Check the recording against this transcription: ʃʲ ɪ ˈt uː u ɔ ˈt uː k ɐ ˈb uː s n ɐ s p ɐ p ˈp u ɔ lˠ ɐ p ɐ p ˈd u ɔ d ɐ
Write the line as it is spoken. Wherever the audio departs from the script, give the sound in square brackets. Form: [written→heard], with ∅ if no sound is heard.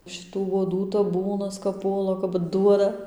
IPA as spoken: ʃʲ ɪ ˈt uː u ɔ [ˈt→ˈd] uː [k→t] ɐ ˈb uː [s→∅] n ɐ s [p→k] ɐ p ˈp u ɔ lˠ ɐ [p→k] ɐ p ˈd u ɔ d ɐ